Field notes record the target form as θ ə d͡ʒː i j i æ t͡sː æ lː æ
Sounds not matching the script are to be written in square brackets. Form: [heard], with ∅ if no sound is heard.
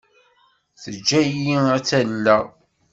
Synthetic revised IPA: θ ə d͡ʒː [æ] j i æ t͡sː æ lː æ